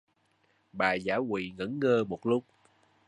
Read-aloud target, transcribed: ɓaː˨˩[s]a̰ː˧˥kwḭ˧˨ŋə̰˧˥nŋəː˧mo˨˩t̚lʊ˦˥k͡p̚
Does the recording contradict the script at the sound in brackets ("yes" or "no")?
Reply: yes